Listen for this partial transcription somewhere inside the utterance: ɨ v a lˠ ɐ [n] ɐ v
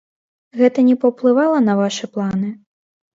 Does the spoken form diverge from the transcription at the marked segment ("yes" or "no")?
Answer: no